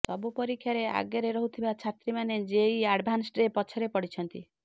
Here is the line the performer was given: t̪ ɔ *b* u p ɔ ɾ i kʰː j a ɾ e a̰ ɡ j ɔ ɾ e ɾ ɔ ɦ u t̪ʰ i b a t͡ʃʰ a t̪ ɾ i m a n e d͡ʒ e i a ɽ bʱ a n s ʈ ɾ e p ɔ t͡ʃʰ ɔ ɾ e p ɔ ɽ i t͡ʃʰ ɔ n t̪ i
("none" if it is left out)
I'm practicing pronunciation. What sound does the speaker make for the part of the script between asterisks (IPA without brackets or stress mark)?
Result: b